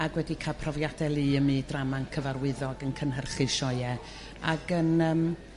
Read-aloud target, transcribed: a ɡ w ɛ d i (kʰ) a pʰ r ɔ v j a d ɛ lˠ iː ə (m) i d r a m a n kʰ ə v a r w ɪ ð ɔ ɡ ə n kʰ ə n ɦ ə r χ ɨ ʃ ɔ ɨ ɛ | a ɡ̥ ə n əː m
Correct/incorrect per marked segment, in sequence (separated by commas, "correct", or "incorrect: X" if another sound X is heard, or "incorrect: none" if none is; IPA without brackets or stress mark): correct, correct